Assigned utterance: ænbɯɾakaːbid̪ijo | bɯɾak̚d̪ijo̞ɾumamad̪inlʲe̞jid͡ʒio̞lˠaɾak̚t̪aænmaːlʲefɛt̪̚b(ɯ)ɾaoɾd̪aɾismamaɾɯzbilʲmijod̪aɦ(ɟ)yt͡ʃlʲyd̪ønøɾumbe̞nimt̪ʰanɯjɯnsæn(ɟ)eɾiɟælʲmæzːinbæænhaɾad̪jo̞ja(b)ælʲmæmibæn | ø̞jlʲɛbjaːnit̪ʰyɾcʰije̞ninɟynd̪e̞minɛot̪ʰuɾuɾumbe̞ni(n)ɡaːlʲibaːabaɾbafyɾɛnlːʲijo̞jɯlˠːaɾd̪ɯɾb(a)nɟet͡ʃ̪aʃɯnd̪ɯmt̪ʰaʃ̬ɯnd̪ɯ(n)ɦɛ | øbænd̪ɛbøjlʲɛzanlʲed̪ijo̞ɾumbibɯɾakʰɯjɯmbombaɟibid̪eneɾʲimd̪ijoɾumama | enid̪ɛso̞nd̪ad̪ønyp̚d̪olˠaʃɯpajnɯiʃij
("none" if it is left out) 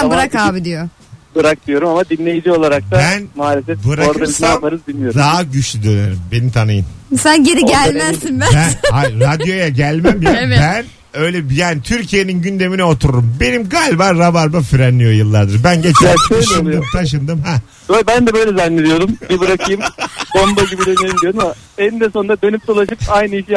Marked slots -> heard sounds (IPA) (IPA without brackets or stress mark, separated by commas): ɯ, ɟ, ɟ, ɟ, m, æ, m